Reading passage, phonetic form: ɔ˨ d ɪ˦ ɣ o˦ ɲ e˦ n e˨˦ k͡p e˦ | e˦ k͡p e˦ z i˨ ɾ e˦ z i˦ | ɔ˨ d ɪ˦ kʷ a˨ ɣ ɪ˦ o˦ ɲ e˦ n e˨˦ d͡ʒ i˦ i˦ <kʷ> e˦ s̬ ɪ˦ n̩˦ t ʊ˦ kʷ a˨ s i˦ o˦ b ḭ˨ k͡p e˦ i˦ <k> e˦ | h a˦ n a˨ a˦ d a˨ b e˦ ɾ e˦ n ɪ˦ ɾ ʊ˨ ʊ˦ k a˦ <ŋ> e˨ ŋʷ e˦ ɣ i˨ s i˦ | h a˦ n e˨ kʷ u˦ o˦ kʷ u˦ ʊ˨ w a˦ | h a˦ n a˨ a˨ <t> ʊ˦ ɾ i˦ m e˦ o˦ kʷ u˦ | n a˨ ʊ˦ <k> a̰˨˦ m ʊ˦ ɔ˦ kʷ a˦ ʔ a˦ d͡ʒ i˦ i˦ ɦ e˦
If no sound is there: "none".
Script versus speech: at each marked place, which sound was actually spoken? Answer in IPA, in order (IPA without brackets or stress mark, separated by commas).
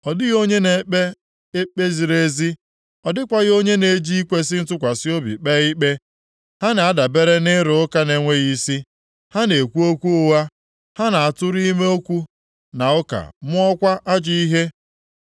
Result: kʷ, k͡p, n, t, k